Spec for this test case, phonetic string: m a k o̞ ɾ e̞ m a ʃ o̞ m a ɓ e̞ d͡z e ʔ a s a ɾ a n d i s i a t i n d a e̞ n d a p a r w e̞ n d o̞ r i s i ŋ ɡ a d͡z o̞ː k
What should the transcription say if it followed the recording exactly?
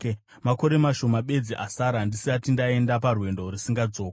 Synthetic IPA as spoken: m a k o̞ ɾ e̞ m a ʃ o̞ m a ɓ e̞ d͡z i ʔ a s a ɾ a n d i s i a t i n d a e̞ n d a p a r w e̞ n d o̞ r i s i ŋ ɡ a d͡z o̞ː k